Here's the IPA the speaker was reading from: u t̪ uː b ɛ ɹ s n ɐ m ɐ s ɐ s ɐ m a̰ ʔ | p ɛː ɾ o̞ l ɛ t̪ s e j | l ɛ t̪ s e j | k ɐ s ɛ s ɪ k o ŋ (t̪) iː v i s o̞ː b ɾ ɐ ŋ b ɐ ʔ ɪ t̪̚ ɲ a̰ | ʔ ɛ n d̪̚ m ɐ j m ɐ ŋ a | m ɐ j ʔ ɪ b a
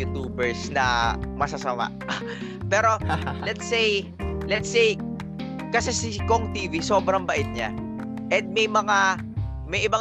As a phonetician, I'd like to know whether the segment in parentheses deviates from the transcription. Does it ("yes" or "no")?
no